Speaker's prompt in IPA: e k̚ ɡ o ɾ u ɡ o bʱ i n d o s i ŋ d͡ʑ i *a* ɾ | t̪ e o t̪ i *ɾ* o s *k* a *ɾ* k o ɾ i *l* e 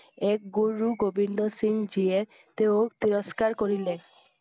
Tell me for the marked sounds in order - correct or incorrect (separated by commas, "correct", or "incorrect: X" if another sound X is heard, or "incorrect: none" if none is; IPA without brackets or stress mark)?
incorrect: e, correct, correct, correct, correct